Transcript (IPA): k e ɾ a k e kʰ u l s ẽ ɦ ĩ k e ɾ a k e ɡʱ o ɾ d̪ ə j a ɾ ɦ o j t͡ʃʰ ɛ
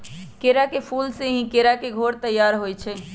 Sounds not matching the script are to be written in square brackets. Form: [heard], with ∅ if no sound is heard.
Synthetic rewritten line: k e ɾ a k e [pʰ] u l s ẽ ɦ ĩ k e ɾ a k e ɡʱ o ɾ [t̪] ə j a ɾ ɦ o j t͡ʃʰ ɛ

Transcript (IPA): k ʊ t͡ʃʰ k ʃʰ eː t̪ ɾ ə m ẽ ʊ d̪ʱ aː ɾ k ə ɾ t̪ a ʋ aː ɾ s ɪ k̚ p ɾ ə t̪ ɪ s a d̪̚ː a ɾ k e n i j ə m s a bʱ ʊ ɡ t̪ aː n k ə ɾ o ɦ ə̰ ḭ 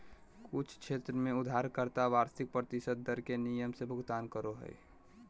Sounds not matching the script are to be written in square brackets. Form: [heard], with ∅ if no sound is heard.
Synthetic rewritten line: k ʊ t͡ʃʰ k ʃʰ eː t̪ ɾ ə m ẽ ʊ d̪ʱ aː ɾ k ə ɾ t̪ a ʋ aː ɾ s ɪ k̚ p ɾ ə t̪ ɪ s [ə] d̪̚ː [ə] ɾ k e n i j ə m s [e] bʱ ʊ ɡ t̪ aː n k ə ɾ o ɦ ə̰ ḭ

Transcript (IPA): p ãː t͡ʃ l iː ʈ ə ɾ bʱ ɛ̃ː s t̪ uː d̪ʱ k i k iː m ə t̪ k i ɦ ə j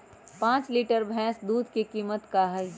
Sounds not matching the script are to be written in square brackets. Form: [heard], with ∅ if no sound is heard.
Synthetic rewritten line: p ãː t͡ʃ l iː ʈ ə ɾ bʱ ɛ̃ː s [d̪] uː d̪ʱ k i k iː m ə t̪ k [a] ɦ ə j

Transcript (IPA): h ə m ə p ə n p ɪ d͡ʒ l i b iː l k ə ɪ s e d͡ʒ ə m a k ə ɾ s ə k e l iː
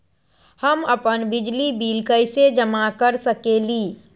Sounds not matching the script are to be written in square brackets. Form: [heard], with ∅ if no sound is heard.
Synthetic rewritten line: h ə m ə p ə n [b] ɪ d͡ʒ l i b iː l k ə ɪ s e d͡ʒ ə m a k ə ɾ s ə k e l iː

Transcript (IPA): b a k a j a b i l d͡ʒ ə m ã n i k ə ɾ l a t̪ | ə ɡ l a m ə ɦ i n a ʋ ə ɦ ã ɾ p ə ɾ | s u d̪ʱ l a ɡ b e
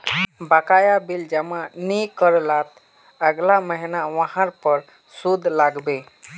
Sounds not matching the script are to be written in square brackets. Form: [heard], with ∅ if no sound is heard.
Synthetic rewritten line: b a k a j a b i l d͡ʒ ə m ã n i k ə ɾ l a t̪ | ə ɡ l a m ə ɦ i n a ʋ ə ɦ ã ɾ p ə ɾ | s u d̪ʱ l a ɡ b e

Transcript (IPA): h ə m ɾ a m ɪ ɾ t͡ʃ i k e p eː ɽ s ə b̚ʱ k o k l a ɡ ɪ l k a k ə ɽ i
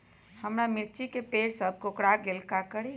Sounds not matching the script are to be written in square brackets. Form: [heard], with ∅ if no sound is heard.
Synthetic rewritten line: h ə m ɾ a m ɪ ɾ t͡ʃ i k e p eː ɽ s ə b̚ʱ k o k [ɽ] a ɡ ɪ l k a k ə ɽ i

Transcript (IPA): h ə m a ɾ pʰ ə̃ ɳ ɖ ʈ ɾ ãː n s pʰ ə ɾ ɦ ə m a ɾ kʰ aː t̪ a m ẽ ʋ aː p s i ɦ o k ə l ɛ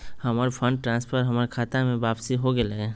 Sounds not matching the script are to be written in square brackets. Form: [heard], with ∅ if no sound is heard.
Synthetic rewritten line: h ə m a ɾ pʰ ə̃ ɳ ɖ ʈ ɾ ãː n s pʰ ə ɾ ɦ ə m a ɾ kʰ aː t̪ a m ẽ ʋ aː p s i ɦ o [ɡ] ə l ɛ

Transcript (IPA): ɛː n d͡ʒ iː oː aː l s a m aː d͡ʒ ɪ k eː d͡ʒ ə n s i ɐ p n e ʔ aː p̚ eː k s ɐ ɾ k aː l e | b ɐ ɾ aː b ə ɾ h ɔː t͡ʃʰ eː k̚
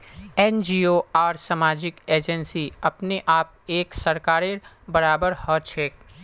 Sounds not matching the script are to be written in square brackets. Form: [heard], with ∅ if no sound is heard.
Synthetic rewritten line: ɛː n d͡ʒ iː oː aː [ɾ] s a m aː d͡ʒ ɪ k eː d͡ʒ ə n s i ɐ p n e ʔ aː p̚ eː k s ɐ ɾ k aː [ɾ] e | b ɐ ɾ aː b ə ɾ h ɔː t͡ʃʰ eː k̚

